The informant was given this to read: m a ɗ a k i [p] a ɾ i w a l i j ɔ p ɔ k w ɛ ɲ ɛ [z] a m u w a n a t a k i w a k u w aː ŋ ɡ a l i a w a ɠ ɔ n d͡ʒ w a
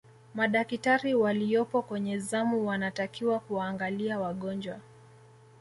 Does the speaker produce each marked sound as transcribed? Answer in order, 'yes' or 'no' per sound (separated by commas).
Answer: no, yes